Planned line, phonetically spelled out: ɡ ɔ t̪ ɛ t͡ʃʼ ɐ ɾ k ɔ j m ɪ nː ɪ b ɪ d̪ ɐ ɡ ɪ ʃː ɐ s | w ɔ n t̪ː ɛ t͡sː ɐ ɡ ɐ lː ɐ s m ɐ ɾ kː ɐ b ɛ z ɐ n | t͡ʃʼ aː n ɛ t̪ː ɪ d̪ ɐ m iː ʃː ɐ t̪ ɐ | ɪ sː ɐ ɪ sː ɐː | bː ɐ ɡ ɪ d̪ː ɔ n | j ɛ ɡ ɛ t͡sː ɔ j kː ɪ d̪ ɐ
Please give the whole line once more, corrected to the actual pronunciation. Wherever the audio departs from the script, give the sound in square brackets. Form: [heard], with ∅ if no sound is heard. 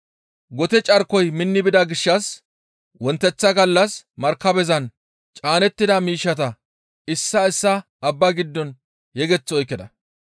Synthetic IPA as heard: ɡ ɔ t̪ ɛ t͡ʃʼ ɐ ɾ k ɔ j m ɪ nː ɪ b ɪ d̪ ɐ ɡ ɪ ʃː ɐ s | w ɔ n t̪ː ɛ t͡sː ɐ ɡ ɐ lː ɐ s m ɐ ɾ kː ɐ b ɛ z ɐ n | t͡ʃʼ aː n ɛ t̪ː ɪ d̪ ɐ m iː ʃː ɐ t̪ ɐ | ɪ sː ɐ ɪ sː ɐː | bː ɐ ɡ ɪ d̪ː ɔ n | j ɛ ɡ ɛ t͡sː ɔ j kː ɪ d̪ ɐ